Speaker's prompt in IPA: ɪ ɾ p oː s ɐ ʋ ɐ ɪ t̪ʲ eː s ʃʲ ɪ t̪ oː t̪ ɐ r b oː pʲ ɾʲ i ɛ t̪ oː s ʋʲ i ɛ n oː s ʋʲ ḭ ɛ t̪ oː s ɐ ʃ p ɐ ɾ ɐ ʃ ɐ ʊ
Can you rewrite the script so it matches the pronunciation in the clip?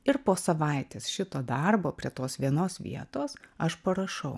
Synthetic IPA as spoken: ɪ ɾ p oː s ɐ ʋ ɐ ɪ t̪ʲ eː s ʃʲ ɪ t̪ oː d̪ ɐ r b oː pʲ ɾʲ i ɛ t̪ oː s ʋʲ i ɛ n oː s ʋʲ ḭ ɛ t̪ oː s ɐ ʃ p ɐ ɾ ɐ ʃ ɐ ʊ

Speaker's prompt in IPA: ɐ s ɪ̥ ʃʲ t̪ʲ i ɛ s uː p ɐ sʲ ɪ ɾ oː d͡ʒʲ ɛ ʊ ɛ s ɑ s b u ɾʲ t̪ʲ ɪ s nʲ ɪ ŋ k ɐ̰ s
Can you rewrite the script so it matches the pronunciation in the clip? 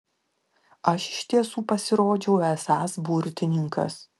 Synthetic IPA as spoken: ɐ ʃ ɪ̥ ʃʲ t̪ʲ i ɛ s uː p ɐ sʲ ɪ ɾ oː d͡ʒʲ ɛ ʊ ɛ s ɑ s b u ɾʲ t̪ʲ ɪ nʲ ɪ ŋ k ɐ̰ s

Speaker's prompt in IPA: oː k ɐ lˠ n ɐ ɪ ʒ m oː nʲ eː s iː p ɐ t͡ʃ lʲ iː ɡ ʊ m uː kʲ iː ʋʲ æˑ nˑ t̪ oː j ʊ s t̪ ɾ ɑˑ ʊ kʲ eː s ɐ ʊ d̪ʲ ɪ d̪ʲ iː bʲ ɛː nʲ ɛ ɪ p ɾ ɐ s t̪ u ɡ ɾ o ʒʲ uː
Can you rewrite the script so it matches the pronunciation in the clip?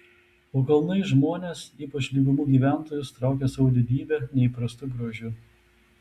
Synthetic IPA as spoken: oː k ɐ lˠ n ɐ ɪ ʒ m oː nʲ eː s iː p ɐ t͡ʃ lʲ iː ɡ ʊ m uː ɡʲ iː ʋʲ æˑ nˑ t̪ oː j ʊ s t̪ ɾ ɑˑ ʊ kʲ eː s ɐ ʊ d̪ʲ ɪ d̪ʲ iː bʲ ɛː nʲ ɛ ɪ p ɾ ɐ s t̪ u ɡ ɾ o ʒʲ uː

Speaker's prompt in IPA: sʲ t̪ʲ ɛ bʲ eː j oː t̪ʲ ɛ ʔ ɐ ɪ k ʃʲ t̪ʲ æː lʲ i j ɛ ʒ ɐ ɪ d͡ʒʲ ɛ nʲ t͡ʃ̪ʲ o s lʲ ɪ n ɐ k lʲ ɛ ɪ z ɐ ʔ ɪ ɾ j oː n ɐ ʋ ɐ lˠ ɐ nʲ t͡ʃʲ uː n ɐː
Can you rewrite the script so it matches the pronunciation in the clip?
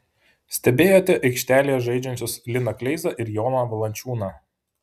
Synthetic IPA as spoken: sʲ t̪ʲ ɛ bʲ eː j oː t̪ʲ ɛ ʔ ɐ ɪ k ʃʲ t̪ʲ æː lʲ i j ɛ ʒ ɐ ɪ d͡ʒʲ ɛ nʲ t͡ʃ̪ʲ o s lʲ ɪ n ɐ k lʲ ɛ ɪ z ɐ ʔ ɪ ɾ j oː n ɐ ʋ ɐ lˠ ɐ nʲ t͡ʃʲ uː n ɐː

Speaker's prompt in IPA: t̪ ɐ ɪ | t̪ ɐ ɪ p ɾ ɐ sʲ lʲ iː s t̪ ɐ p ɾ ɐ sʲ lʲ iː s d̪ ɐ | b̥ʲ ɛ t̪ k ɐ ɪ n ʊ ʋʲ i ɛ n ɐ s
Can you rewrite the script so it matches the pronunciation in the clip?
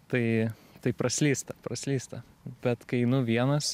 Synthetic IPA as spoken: t̪ ɐ ɪ | t̪ ɐ ɪ p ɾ ɐ sʲ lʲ iː s t̪ ɐ p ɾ ɐ sʲ lʲ iː s t̪ ɐ | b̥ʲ ɛ t̪ k ɐ ɪ n ʊ ʋʲ i ɛ n ɐ s

